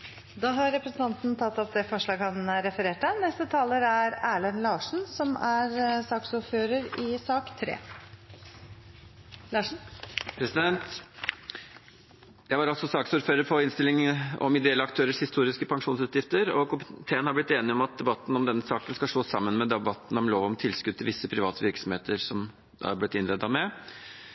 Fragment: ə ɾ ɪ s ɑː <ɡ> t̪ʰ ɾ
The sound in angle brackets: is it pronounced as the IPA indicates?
no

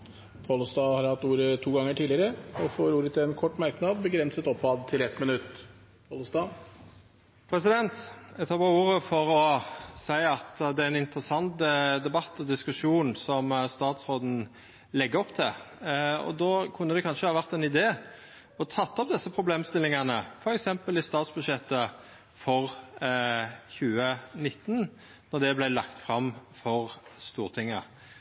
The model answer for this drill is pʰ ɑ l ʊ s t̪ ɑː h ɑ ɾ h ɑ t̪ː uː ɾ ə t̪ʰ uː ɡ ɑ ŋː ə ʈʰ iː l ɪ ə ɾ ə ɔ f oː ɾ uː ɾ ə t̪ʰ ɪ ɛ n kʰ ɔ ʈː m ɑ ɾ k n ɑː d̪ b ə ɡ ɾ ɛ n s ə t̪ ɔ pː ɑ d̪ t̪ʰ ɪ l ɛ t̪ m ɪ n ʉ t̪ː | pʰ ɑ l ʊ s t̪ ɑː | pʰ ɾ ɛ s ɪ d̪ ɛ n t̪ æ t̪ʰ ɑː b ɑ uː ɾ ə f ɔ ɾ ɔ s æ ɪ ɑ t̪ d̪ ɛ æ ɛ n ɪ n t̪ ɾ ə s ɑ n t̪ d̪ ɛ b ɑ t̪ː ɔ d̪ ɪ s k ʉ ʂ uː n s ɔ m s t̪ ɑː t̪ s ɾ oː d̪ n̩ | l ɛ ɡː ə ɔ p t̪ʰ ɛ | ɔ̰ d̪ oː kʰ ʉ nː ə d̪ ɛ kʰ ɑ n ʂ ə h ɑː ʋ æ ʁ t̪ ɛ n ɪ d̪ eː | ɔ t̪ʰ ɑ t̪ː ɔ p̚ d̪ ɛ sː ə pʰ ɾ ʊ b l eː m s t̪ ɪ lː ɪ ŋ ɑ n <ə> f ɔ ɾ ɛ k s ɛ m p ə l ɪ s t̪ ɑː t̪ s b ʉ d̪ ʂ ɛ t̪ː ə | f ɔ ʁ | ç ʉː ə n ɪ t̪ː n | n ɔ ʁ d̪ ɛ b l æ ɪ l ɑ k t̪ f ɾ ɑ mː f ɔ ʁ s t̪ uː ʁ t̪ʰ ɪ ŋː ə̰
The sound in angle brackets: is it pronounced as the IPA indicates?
yes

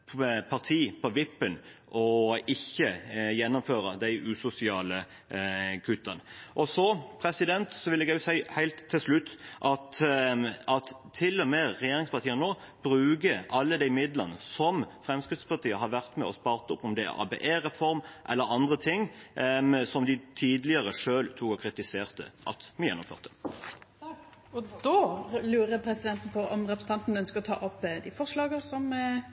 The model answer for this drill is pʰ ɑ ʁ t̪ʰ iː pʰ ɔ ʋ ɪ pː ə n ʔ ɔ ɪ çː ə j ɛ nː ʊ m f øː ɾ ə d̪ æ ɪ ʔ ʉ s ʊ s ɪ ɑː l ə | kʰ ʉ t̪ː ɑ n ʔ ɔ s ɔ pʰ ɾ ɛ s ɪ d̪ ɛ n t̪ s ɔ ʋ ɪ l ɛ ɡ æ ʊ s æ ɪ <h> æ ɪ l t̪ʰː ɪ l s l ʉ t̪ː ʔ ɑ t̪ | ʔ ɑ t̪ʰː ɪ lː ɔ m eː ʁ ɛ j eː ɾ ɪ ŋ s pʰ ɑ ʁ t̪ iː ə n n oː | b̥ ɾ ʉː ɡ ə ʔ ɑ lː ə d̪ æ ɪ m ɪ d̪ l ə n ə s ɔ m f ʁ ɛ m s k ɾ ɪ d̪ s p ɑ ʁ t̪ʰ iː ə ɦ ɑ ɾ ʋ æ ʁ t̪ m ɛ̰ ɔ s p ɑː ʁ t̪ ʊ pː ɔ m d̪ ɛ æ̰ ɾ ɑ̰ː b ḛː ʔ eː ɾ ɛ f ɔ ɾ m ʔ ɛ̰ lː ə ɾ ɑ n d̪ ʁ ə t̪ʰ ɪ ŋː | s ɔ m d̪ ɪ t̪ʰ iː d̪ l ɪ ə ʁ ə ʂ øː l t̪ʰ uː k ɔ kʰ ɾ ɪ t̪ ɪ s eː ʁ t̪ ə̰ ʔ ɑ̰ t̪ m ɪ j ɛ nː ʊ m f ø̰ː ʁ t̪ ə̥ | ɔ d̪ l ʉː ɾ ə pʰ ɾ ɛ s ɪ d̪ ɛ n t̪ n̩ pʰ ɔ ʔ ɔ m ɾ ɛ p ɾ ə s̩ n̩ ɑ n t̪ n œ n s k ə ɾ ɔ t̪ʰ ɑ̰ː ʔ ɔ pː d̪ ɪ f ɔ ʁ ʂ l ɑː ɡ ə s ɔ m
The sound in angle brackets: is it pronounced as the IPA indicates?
yes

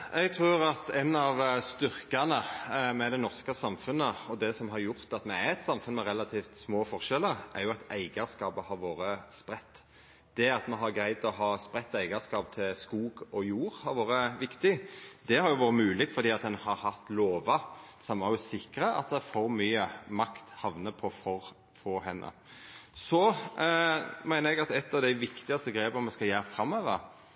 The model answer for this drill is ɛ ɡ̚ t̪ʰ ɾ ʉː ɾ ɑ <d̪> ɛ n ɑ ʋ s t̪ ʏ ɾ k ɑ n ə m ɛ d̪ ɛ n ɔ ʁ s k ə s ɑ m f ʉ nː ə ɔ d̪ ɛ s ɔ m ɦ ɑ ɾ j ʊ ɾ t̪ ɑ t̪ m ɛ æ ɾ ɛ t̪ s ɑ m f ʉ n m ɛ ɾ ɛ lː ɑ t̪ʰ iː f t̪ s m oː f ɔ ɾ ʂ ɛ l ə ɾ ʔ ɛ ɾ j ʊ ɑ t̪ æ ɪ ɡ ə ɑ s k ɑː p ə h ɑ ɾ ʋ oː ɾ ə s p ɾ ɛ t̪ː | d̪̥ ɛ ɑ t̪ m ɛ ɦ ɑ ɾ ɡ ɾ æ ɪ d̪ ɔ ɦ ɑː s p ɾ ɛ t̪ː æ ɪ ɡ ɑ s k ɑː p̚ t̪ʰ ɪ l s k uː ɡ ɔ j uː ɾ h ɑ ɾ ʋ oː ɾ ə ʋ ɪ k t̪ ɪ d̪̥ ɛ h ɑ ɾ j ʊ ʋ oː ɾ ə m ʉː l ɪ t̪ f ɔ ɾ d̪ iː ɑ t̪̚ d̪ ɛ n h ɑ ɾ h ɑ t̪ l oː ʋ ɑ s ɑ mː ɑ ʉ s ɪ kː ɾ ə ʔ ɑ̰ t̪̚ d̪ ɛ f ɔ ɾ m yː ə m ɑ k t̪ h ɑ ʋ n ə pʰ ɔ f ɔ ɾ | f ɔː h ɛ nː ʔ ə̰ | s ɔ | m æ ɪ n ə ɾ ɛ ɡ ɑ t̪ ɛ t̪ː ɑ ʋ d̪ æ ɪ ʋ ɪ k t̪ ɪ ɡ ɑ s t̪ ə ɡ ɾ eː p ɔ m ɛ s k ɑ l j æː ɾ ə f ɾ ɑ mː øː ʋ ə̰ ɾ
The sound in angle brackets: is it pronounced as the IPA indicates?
no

